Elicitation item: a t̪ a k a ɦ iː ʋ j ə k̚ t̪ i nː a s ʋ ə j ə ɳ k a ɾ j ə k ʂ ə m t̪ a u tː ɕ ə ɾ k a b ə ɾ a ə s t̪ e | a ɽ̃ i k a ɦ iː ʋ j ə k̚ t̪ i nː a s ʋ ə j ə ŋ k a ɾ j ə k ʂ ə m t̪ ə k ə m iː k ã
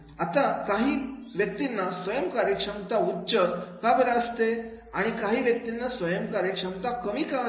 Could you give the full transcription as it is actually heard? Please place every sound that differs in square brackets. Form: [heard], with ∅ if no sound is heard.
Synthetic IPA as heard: a t̪ a k a ɦ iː ʋ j ə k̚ t̪ i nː a s ʋ ə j ə [m] k a ɾ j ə k ʂ ə m t̪ a u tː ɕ ə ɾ k a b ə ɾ a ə s t̪ e | a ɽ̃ i k a ɦ iː ʋ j ə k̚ t̪ i nː a s ʋ ə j ə [m] k a ɾ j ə k ʂ ə m t̪ [a] k ə m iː k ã